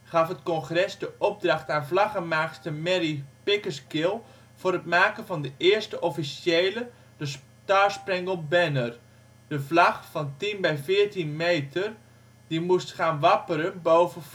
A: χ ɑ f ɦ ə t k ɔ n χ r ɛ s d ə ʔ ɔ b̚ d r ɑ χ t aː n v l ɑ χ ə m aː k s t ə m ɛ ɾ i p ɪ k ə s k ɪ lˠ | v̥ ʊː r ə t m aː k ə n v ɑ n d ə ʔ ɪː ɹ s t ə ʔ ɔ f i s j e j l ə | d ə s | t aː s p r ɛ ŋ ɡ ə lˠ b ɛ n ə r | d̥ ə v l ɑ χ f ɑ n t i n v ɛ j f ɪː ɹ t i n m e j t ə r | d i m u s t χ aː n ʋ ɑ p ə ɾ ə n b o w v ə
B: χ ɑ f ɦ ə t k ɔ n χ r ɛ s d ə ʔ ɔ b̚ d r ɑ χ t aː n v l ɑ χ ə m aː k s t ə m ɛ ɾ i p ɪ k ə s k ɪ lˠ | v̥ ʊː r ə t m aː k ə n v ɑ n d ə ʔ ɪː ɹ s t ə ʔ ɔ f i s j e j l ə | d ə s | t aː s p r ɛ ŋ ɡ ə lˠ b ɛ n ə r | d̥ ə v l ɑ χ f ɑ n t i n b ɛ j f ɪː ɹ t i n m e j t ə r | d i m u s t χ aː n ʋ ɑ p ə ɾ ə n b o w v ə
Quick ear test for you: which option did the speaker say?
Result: B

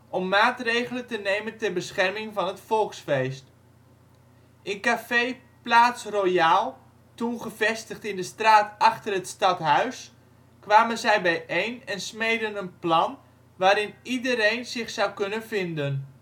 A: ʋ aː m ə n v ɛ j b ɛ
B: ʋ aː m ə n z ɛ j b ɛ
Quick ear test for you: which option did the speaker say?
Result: B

